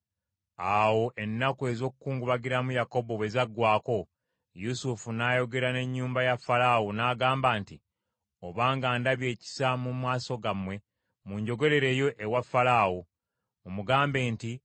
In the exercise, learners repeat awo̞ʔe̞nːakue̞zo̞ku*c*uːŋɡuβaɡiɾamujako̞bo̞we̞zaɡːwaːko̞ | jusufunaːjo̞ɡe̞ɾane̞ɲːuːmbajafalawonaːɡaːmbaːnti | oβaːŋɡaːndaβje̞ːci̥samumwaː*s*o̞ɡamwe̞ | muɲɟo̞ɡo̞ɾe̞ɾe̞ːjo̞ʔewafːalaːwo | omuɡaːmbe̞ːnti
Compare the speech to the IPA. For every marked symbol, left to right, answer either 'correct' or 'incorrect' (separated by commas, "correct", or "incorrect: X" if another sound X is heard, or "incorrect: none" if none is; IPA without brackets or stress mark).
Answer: incorrect: k, correct